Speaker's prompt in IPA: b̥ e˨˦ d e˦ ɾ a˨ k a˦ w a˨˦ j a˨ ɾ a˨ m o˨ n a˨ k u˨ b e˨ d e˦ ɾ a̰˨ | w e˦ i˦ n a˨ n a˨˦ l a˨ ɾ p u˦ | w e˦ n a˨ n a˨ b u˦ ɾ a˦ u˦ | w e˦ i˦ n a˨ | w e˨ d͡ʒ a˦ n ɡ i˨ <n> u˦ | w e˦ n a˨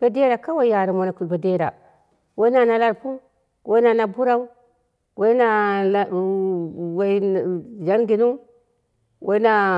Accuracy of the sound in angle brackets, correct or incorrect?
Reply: correct